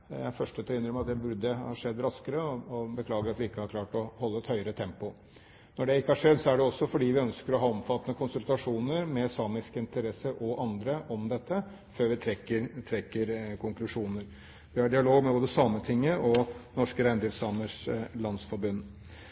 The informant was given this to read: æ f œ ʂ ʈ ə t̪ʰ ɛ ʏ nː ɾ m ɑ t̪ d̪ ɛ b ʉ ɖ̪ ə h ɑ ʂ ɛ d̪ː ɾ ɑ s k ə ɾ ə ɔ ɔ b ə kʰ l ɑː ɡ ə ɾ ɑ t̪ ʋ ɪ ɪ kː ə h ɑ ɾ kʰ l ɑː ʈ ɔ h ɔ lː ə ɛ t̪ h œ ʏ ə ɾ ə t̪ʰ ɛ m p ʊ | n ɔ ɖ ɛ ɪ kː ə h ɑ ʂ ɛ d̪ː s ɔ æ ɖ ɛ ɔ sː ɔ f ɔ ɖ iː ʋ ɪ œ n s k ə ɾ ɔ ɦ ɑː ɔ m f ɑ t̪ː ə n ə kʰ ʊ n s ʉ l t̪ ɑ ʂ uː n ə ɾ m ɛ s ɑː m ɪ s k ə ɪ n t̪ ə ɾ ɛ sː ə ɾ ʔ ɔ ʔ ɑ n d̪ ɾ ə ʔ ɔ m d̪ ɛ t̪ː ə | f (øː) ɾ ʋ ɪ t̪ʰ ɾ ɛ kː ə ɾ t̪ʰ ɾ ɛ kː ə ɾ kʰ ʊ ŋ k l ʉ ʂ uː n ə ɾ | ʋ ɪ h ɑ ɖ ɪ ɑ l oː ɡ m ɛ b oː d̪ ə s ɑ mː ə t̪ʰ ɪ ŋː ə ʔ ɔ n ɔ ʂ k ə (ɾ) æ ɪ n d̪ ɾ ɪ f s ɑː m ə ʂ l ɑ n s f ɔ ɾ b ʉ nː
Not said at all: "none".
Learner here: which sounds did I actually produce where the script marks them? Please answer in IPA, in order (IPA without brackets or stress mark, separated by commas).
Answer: øː, ɾ